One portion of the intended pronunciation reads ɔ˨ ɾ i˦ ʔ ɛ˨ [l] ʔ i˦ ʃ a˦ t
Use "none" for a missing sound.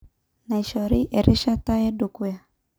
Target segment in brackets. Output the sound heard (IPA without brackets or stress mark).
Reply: ɾ